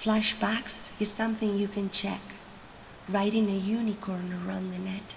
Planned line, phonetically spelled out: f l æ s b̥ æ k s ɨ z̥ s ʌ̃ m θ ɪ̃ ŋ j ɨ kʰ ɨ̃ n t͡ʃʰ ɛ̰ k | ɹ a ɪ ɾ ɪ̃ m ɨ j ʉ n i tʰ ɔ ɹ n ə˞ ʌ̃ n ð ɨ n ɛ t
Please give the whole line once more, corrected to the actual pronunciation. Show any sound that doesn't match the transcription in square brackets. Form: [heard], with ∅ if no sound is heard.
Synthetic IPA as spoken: f l æ [ʃ] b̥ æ k s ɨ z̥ s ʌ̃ m θ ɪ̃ ŋ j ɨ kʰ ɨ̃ n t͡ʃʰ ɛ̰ k | ɹ a ɪ ɾ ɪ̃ [ŋ] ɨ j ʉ n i [kʰ] ɔ ɹ n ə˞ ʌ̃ n ð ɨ n ɛ t